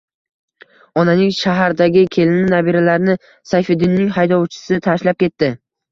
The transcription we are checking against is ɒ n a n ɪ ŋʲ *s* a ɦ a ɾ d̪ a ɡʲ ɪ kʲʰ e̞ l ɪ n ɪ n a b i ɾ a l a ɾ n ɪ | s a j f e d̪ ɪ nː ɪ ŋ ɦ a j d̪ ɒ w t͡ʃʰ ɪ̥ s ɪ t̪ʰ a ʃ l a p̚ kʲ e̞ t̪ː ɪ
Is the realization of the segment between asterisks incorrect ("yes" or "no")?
yes